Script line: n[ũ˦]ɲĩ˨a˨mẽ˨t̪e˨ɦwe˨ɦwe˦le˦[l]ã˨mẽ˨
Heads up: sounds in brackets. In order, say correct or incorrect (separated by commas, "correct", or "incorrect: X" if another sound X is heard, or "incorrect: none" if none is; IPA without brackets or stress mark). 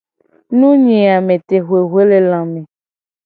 correct, correct